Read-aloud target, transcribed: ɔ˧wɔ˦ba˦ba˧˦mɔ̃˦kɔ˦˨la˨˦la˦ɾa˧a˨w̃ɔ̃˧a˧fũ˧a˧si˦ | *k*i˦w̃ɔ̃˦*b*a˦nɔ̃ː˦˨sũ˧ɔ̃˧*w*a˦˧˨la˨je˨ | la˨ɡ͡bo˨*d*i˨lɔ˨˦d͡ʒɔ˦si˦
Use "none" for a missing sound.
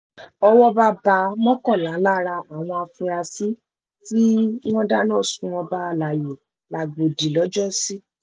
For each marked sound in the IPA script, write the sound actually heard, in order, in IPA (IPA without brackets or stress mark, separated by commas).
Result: t, d, b, d